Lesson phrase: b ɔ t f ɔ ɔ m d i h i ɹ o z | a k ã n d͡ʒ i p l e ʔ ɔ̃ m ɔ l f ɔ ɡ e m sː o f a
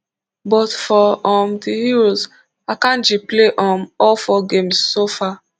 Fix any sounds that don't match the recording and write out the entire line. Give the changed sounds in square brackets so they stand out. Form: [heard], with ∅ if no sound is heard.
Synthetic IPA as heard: b ɔ t f ɔ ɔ m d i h i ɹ o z | a k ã n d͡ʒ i p l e ʔ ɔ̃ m ɔ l f ɔ ɡ e m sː o f a